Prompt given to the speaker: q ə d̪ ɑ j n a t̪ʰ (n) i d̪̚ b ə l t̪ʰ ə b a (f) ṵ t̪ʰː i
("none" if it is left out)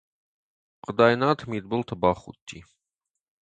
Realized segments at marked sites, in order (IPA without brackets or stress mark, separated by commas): m, χ